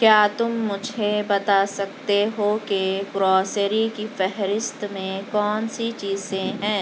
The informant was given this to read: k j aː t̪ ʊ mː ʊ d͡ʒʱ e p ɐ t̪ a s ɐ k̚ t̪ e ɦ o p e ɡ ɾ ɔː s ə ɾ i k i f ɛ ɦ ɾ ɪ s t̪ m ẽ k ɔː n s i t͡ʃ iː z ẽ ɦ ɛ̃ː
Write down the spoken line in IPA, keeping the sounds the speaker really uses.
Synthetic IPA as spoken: k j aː t̪ ʊ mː ʊ d͡ʒʱ e b ɐ t̪ a s ɐ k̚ t̪ e ɦ o k e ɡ ɾ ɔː s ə ɾ i k i f ɛ ɦ ɾ ɪ s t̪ m ẽ k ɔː n s i t͡ʃ iː z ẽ ɦ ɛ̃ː